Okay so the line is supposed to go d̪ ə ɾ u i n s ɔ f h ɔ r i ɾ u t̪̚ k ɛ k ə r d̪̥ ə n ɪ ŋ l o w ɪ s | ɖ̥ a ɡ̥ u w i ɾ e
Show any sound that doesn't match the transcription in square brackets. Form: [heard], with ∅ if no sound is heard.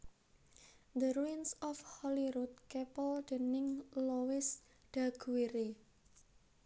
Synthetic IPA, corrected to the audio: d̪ ə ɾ u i n s ɔ f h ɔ [l] i ɾ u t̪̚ k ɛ [p] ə [l] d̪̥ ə n ɪ ŋ l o w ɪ s | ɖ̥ a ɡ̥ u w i ɾ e